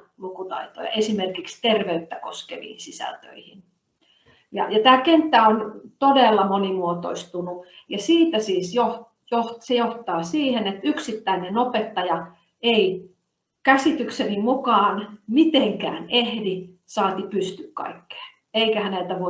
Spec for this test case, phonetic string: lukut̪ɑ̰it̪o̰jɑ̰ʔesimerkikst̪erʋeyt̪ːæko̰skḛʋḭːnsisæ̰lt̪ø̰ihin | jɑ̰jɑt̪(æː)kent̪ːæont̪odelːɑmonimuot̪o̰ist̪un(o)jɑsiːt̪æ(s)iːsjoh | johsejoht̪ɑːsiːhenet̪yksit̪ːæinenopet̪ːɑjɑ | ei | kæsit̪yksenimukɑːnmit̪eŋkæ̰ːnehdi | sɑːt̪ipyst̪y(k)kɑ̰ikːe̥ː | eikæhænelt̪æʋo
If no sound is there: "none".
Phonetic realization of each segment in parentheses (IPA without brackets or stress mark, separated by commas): æː, u, s, k